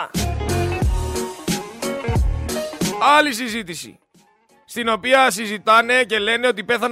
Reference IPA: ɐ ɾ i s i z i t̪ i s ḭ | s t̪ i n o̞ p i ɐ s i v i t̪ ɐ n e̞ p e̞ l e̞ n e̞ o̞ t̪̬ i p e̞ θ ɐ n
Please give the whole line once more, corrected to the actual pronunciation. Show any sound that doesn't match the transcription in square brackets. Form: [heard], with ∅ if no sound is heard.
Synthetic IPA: ɐ [l] i s i z i t̪ i s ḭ | s t̪ i n o̞ p i ɐ s i [z] i t̪ ɐ n e̞ [c] e̞ l e̞ n e̞ o̞ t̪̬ i p e̞ θ ɐ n